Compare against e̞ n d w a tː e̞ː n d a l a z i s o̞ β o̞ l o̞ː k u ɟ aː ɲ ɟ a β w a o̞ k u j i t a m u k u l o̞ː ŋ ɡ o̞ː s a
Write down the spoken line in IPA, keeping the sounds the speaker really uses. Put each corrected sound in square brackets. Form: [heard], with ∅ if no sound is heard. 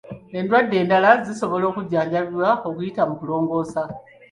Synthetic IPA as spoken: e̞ n d w a [dː] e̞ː n d a l a z i s o̞ β o̞ l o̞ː k u ɟ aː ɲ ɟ a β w a o̞ k u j i t a m u k u l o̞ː ŋ ɡ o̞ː s a

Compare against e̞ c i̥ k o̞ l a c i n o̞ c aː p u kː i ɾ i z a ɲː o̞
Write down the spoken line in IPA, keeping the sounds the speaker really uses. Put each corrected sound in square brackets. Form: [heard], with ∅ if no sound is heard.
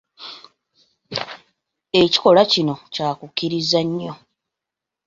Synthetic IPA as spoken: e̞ c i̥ k o̞ l a c i n o̞ c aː [k] u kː i ɾ i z a ɲː o̞

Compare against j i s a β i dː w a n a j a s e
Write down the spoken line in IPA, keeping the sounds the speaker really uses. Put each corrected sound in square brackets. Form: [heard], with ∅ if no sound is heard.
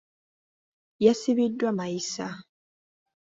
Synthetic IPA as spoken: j [a] s [i] β i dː w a [m] a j [i] s [a]

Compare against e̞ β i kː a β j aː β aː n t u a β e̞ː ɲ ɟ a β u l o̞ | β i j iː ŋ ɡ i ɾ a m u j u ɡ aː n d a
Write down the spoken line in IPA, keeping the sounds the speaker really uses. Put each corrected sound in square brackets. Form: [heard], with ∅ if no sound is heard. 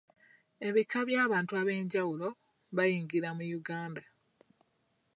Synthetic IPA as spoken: e̞ β i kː a β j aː β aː n t u a β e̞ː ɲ ɟ a [w] u l o̞ | β [a] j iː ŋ ɡ i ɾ a m u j u ɡ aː n d a

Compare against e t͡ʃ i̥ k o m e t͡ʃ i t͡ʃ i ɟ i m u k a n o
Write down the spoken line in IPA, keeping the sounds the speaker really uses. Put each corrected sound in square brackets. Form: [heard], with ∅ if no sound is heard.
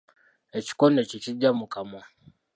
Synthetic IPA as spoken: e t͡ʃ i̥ k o [n] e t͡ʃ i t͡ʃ i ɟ [a] m u k a [m] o

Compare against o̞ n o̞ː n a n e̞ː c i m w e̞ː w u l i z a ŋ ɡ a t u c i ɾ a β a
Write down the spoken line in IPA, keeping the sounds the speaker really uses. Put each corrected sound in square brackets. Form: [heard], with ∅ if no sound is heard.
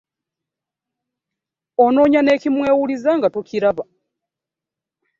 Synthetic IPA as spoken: o̞ n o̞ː [ɲ] a n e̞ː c i m w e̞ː w u l i z a ŋ ɡ a t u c i ɾ a β a

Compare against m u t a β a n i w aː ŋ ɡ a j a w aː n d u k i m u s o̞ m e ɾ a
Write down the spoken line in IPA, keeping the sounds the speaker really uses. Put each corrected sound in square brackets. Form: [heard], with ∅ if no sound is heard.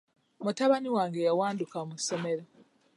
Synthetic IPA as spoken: m u t a β a n i w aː ŋ ɡ [e] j a w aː n d u k [a] m u s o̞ m e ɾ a

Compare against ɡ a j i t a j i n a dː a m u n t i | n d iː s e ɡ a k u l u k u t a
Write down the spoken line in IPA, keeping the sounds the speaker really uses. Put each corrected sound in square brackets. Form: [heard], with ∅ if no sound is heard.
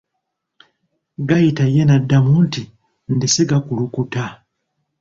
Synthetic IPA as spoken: ɡ a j i t a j [e] n a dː a m u n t i | n d [i] s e ɡ a k u l u k u t a

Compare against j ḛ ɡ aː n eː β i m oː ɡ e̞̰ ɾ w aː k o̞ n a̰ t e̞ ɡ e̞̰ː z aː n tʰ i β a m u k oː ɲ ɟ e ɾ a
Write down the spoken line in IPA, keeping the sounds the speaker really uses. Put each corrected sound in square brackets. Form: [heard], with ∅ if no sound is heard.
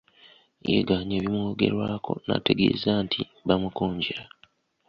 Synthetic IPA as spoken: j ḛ ɡ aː [ɲ] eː β i m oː ɡ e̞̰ ɾ w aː k o̞ n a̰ t e̞ ɡ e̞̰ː z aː n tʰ i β a m u k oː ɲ ɟ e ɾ a

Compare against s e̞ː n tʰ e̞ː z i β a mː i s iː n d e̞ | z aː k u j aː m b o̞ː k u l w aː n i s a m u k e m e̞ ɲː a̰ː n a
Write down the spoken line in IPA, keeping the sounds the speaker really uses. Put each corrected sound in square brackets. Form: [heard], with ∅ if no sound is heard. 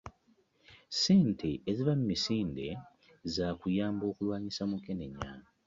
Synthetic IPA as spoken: s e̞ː n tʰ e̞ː z i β a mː i s iː n d e̞ | z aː k u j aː m b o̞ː k u l w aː [ɲ] i s a m u k e [n] e̞ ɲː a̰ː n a

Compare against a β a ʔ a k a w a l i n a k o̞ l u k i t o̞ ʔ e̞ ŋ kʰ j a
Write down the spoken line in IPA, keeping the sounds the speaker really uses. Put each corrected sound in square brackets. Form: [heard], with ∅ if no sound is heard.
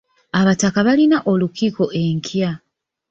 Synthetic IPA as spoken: a β a [t] a k a [β] a l i n a [ʔ] o̞ l u k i [k] o̞ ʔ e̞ ŋ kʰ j a

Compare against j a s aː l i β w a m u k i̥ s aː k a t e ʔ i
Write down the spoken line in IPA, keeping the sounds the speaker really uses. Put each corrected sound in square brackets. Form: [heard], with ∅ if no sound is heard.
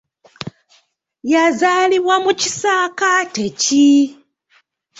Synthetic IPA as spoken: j a [z] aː l i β w a m u [c] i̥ s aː k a t e [c] i

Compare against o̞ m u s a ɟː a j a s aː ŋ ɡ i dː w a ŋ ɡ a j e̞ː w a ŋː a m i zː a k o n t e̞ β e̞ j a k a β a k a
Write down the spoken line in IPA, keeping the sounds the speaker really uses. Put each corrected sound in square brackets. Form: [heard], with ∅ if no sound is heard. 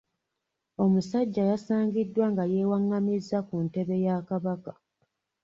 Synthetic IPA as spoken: o̞ m u s a ɟː a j a s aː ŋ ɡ i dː w a ŋ ɡ a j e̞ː w a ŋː a m i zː a k [u] n t e̞ β e̞ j a k a β a k a

